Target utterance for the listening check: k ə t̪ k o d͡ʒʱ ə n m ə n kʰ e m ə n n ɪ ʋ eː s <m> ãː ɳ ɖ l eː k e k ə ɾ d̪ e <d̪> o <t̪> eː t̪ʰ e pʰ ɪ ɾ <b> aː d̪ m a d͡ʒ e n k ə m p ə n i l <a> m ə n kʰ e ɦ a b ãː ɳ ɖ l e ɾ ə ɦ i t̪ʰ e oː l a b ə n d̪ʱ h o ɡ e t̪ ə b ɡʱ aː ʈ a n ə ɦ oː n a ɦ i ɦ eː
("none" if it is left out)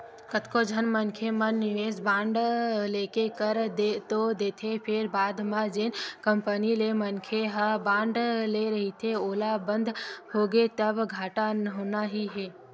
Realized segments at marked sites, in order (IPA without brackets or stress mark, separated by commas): b, t̪, d̪, b, e